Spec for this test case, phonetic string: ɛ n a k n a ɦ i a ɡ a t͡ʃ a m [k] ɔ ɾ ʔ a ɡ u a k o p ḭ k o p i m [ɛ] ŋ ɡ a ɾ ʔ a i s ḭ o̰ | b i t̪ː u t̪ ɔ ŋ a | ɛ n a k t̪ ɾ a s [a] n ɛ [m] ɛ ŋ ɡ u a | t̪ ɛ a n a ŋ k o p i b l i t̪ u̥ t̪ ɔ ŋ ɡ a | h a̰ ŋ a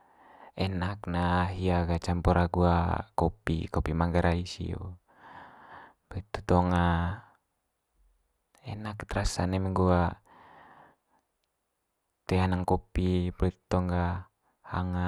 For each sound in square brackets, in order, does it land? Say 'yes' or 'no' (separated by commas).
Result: no, no, yes, yes